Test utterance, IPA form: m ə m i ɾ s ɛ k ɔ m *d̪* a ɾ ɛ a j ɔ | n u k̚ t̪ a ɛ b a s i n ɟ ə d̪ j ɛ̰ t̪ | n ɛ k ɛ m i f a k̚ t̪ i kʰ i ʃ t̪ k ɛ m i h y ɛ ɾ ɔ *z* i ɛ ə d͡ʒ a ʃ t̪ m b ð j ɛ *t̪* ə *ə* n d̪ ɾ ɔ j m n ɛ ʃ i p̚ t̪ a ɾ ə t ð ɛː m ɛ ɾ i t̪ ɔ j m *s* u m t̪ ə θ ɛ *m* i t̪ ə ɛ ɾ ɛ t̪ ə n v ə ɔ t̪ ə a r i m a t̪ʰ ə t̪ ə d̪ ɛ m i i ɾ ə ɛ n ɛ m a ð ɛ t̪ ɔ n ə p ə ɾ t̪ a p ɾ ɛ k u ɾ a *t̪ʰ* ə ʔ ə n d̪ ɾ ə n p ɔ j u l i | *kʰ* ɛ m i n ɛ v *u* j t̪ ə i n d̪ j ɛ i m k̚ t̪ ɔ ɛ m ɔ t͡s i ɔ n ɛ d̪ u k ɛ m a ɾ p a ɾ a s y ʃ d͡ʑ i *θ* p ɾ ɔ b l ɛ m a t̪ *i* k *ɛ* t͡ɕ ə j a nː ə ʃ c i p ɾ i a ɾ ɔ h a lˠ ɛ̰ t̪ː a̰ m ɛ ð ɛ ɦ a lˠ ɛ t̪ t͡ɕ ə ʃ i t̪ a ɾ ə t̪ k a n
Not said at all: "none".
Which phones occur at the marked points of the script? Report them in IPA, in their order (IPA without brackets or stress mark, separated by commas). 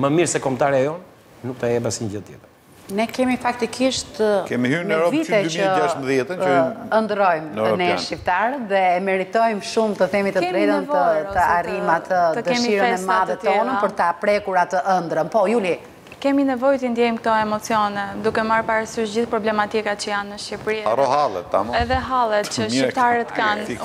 t̪, v, t̪, ə, ʃ, m, t̪, k, ɔ, θ, i, a